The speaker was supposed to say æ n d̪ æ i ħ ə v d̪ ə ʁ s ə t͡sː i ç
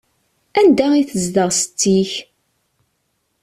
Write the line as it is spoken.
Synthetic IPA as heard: æ n d̪ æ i θ ə z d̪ ə ʁ s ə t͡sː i ç